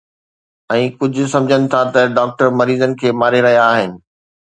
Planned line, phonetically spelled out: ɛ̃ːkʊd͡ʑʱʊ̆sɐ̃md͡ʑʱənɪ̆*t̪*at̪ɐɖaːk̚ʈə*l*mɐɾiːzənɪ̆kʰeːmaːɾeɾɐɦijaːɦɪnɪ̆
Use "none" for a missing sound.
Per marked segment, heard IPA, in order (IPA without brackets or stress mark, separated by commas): t̪ʰ, ɾ